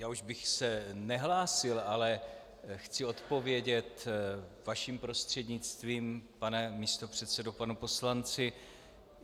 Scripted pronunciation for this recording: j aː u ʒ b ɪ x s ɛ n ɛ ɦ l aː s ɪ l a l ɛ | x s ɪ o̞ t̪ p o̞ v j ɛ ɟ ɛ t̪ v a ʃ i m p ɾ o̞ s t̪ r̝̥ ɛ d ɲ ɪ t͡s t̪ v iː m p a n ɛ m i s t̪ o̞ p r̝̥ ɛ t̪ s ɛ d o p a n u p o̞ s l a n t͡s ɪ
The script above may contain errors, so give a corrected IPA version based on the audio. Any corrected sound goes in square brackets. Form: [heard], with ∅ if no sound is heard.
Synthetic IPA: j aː u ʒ b ɪ x s ɛ n ɛ ɦ l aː s ɪ l a l ɛ | x [t͡s] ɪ o̞ t̪ p o̞ v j ɛ ɟ ɛ t̪ v a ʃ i m p ɾ o̞ s t̪ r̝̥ ɛ d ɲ ɪ t͡s t̪ v iː m p a n ɛ m i s t̪ o̞ p r̝̥ ɛ t̪ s ɛ d o p a n u p o̞ s l a n t͡s ɪ